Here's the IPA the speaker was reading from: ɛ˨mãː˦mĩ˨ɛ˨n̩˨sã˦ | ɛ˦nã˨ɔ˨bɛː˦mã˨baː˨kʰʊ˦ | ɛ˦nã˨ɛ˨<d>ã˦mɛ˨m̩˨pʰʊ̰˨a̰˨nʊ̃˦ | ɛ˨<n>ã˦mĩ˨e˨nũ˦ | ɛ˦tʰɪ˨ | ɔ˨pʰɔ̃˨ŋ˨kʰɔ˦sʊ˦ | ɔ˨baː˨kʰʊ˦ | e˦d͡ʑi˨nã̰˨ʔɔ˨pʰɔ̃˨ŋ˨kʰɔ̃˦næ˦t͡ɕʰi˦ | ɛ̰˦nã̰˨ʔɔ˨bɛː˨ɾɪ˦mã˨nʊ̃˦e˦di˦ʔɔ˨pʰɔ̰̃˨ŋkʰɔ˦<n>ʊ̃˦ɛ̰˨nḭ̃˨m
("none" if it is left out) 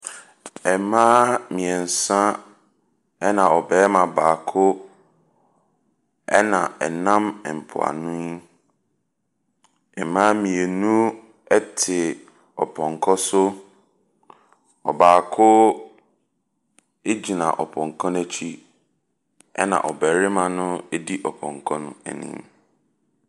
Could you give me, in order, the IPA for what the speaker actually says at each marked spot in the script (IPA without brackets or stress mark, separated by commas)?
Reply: n, m, n